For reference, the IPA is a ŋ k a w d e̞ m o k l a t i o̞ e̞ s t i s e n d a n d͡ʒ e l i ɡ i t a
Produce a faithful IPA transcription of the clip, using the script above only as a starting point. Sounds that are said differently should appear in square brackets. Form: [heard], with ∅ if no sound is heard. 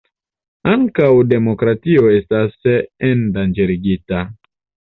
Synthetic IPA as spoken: a ŋ k a w d e̞ m o k [ɾ] a t i o̞ e̞ s t [a] s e n d a n d͡ʒ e [ɾ] i ɡ i t a